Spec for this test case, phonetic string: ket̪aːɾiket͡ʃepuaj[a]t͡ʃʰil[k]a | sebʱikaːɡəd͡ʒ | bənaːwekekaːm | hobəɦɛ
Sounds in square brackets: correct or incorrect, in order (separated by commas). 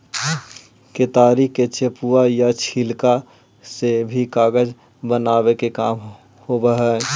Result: correct, correct